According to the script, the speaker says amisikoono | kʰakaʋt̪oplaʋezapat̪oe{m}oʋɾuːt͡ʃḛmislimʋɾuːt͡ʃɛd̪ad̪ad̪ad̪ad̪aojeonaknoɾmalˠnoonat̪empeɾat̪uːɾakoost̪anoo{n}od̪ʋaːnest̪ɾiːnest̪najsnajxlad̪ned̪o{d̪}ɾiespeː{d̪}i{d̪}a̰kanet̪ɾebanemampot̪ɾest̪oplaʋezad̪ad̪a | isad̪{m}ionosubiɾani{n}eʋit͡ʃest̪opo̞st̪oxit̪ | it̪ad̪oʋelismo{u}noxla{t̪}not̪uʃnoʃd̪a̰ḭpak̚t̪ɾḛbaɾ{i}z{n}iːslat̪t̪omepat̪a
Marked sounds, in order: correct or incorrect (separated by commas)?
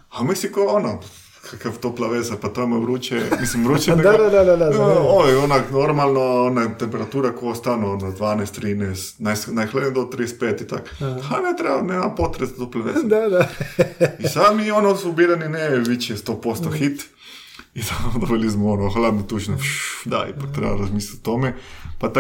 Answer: correct, correct, incorrect, incorrect, incorrect, correct, correct, incorrect, incorrect, incorrect, incorrect